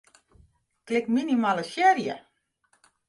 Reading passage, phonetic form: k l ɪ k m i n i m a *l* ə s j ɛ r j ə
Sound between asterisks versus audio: correct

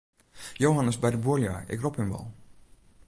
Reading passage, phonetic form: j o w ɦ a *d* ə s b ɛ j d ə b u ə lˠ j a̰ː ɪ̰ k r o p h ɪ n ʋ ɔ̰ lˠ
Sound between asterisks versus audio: incorrect: n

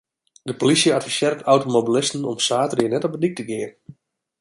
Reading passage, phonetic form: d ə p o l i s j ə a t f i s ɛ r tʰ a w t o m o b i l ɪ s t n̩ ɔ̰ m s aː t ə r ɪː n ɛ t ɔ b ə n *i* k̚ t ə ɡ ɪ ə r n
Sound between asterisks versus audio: correct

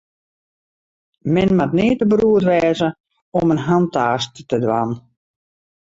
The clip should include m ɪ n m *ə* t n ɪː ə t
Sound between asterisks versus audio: incorrect: a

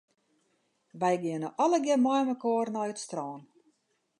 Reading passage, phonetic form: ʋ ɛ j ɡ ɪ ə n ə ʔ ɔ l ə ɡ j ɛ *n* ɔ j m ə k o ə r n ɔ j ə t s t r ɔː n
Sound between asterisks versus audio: incorrect: m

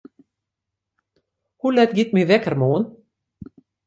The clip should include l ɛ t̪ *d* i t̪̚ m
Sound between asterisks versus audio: incorrect: ɡ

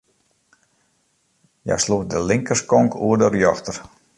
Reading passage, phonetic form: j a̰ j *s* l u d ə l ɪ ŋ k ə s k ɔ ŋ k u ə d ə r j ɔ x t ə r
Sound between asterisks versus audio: correct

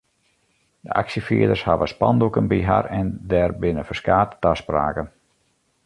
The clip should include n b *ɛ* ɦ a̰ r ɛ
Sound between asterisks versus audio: incorrect: i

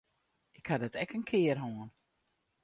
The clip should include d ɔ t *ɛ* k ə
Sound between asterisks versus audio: correct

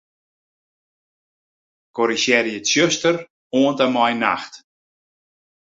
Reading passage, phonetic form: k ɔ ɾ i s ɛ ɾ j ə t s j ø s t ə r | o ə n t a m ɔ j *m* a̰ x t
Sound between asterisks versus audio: incorrect: n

